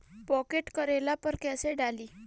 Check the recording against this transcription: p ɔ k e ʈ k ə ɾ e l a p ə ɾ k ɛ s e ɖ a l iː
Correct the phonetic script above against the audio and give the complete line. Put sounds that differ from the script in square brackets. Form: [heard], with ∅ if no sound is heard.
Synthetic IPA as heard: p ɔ k e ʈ k ə ɾ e l a p ə ɾ k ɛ s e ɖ a l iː